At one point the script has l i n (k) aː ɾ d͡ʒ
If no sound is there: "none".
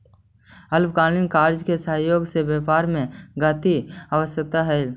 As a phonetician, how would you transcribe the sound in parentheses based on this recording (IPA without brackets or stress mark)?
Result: k